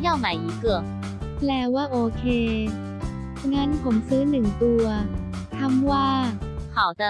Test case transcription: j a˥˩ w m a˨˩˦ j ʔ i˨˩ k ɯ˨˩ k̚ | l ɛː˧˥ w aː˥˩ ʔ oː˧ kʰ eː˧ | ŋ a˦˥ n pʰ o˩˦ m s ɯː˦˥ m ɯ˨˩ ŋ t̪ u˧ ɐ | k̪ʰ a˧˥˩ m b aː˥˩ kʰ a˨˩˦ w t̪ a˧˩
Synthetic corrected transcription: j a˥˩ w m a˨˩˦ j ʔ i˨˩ k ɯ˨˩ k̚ | l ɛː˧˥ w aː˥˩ ʔ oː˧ kʰ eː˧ | ŋ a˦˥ n pʰ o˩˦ m s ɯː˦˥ n ɯ˨˩ ŋ t̪ u˧ ɐ | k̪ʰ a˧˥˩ m w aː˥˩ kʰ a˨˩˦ w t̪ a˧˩